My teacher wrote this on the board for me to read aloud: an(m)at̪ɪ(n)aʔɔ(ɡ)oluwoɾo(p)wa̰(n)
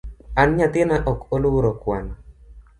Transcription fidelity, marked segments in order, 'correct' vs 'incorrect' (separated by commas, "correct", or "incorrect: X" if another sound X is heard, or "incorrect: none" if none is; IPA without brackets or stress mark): incorrect: ɲ, correct, incorrect: k, incorrect: k, correct